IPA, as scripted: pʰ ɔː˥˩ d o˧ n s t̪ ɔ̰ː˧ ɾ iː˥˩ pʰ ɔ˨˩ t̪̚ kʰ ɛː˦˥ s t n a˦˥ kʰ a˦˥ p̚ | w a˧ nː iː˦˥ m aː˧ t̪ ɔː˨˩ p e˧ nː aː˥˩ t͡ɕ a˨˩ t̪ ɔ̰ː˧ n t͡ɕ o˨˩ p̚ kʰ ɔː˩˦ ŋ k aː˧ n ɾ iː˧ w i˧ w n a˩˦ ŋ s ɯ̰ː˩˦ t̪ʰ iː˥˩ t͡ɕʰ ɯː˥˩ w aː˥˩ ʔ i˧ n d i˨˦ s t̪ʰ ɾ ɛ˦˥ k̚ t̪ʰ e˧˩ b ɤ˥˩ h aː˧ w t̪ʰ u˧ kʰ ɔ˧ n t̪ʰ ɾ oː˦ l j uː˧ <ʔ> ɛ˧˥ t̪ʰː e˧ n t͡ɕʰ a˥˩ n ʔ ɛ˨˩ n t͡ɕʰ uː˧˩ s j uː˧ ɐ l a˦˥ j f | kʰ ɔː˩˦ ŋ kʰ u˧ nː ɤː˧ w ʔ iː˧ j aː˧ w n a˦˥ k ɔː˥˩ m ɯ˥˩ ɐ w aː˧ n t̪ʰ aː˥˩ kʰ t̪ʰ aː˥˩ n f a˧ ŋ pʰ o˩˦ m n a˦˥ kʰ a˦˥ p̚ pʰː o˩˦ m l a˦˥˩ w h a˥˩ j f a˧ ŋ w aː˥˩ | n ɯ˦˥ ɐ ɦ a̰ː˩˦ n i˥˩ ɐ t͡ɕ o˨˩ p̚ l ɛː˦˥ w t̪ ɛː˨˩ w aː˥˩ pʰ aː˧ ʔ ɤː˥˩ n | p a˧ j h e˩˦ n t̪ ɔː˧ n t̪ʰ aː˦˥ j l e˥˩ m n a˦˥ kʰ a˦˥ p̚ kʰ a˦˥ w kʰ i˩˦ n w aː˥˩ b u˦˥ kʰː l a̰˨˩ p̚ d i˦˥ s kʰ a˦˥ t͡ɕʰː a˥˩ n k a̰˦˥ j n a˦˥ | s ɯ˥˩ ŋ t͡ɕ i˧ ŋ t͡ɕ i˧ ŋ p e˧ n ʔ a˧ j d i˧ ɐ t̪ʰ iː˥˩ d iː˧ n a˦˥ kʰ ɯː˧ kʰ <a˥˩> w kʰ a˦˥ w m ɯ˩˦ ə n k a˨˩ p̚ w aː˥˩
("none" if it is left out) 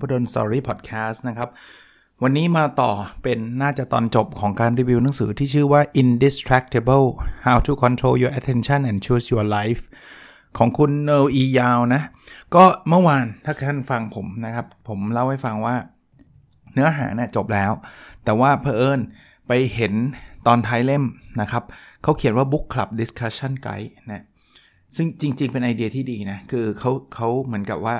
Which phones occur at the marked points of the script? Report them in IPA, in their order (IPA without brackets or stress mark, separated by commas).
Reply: ʔ, a˦˥